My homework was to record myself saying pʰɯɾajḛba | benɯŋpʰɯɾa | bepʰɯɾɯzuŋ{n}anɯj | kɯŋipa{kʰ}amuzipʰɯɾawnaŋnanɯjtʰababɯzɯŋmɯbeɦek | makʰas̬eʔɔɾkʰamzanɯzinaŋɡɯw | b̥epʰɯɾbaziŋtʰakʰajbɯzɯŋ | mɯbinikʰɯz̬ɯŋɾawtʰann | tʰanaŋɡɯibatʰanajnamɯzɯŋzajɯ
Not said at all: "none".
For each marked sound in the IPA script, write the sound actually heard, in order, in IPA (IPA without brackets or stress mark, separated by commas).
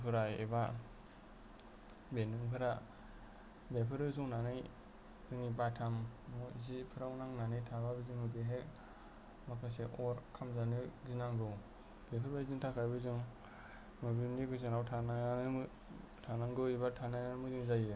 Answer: n, tʰ